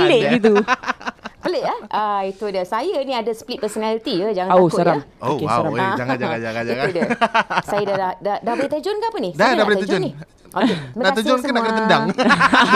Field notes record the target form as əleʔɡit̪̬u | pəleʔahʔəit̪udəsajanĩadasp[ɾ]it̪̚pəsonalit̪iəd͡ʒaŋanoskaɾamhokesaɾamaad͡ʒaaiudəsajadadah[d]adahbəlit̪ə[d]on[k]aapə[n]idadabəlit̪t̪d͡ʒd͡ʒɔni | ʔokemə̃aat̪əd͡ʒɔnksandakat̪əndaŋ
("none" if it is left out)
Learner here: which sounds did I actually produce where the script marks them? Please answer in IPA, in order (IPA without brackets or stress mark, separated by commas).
l, d, d͡ʒ, k, n